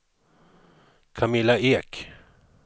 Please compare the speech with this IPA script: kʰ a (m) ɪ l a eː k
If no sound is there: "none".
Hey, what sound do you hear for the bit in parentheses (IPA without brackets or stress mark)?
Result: m